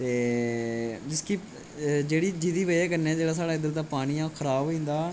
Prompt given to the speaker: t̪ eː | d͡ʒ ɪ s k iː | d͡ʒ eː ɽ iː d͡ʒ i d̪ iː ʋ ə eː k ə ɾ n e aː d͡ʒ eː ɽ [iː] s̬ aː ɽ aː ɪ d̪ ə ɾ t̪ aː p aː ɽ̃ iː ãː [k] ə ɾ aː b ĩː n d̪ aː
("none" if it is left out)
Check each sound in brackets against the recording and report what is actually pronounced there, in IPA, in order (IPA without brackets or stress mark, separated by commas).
aː, kʰ